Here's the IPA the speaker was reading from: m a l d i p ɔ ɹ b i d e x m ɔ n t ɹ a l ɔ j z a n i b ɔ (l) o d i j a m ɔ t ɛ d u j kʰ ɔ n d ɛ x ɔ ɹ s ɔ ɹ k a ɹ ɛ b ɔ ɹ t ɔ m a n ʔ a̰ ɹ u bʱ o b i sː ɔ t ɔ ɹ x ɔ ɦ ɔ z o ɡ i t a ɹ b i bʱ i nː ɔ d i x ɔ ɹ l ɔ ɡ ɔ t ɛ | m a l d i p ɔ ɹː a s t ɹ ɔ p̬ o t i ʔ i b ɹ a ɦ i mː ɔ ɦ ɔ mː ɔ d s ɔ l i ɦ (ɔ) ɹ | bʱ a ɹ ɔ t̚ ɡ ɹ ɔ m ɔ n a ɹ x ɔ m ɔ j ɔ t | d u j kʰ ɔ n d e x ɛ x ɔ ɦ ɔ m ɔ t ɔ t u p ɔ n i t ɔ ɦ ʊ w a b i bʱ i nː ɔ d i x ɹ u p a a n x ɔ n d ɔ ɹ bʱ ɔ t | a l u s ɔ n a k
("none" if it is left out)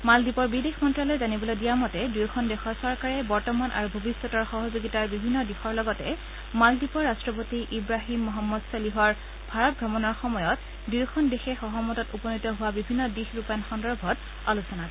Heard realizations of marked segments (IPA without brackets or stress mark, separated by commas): l, ɔ